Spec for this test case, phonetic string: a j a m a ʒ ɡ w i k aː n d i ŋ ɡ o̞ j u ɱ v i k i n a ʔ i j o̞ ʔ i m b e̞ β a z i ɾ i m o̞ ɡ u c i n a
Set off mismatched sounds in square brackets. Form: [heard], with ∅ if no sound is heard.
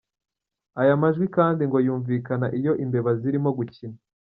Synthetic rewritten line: a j a m a ʒ ɡ w i k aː n d i ŋ ɡ o̞ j [uː] ɱ v i k [a] n a ʔ i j o̞ ʔ i m b e̞ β a z i ɾ i m o̞ ɡ u c i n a